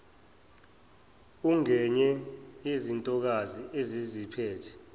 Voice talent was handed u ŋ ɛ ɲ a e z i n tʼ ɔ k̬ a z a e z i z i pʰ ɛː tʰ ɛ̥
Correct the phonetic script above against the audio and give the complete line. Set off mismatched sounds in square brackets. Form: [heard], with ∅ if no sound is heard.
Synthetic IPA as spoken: u ŋ ɛ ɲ [ɛ] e z i n tʼ ɔ k̬ a z [i] e z i z i pʰ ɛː tʰ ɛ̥